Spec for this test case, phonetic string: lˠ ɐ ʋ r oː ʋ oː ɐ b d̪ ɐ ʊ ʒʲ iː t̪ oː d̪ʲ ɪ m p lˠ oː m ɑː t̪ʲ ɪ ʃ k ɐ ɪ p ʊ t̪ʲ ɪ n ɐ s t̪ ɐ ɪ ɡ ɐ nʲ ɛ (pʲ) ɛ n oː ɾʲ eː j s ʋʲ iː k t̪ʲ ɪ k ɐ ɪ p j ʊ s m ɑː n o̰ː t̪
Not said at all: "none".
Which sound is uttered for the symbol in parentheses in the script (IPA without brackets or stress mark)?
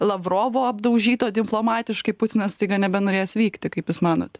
bʲ